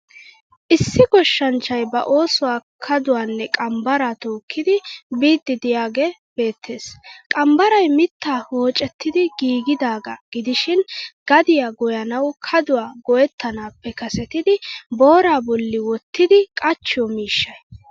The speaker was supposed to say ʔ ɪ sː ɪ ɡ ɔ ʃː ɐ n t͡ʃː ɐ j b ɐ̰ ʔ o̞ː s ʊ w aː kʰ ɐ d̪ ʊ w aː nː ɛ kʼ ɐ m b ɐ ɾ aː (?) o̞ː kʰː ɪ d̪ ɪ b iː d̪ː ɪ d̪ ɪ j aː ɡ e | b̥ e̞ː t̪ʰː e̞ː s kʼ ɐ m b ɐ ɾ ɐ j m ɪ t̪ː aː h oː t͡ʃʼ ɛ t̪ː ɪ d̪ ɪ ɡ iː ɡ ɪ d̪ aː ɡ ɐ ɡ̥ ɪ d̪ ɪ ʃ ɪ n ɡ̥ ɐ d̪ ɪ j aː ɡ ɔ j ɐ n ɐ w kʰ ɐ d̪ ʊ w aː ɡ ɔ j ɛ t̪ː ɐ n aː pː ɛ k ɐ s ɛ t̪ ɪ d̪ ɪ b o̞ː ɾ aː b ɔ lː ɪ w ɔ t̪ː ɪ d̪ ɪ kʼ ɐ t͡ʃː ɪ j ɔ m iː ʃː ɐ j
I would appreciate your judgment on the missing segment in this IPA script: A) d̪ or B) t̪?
B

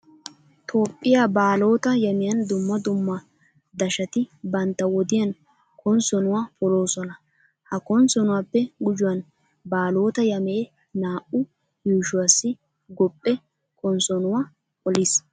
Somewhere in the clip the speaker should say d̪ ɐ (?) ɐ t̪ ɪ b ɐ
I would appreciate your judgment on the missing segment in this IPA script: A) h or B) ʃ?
B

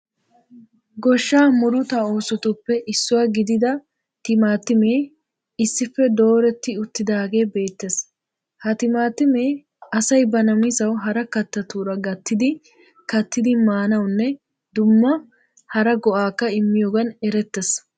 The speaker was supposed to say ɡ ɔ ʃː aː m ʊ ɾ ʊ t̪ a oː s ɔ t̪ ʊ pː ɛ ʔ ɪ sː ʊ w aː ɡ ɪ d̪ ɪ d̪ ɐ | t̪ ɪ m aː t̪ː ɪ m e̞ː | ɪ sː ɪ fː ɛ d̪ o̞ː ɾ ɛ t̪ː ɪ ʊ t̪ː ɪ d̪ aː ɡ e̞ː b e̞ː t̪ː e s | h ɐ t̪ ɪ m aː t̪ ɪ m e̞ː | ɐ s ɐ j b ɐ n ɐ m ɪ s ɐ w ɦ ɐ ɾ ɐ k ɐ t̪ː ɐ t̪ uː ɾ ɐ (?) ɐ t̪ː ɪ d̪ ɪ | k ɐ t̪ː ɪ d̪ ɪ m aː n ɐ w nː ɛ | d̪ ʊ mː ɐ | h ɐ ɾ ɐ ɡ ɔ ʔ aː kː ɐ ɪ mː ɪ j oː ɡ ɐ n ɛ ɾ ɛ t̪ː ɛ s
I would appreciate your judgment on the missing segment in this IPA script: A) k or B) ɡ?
B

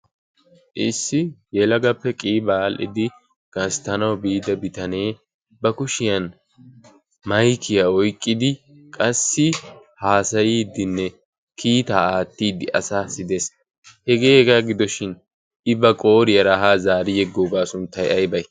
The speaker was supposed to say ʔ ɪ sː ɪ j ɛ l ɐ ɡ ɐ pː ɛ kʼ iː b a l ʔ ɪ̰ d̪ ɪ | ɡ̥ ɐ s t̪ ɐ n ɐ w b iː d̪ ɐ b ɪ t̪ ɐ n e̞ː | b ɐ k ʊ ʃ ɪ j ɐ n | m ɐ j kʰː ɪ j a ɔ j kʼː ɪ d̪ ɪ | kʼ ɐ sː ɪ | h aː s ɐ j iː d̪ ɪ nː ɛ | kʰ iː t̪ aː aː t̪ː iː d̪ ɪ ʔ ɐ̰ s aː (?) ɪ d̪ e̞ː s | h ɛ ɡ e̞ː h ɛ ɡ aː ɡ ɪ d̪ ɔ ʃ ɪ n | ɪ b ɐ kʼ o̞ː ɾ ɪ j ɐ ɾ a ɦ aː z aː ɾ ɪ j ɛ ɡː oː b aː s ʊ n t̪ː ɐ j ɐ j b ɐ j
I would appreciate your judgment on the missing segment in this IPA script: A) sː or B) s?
B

